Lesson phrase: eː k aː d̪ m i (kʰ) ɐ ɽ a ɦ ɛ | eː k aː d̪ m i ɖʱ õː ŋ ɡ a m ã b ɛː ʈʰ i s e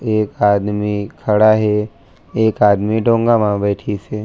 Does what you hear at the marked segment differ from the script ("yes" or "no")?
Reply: no